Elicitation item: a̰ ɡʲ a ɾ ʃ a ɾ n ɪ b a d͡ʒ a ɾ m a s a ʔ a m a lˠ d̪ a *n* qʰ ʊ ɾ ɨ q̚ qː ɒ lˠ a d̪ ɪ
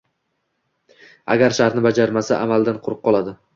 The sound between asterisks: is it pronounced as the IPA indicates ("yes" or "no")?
yes